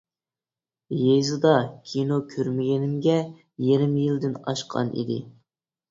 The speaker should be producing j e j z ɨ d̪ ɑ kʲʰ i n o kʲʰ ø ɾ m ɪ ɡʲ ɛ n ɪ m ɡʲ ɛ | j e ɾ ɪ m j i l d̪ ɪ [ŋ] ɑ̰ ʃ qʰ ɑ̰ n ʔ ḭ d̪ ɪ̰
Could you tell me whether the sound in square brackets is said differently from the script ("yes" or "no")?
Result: yes